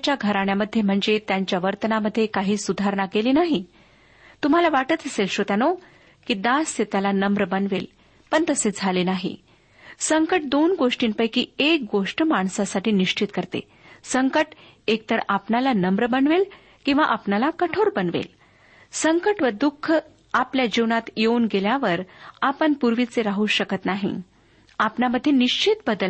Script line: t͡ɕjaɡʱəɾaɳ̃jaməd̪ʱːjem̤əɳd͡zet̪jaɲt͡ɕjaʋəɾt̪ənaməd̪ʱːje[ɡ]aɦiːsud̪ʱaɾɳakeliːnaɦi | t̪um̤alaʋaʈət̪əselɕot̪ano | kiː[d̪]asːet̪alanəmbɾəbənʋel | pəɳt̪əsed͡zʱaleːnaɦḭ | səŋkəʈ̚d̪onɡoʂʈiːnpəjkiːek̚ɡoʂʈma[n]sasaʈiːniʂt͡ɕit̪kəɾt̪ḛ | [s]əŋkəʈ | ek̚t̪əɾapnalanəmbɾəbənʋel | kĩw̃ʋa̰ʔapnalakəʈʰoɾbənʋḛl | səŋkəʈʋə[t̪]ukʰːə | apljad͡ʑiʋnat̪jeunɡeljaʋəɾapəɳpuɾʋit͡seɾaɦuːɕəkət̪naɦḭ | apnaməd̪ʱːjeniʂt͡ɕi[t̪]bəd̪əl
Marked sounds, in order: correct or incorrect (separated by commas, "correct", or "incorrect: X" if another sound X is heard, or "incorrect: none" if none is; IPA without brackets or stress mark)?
incorrect: k, correct, incorrect: ɳ, correct, incorrect: d̪, correct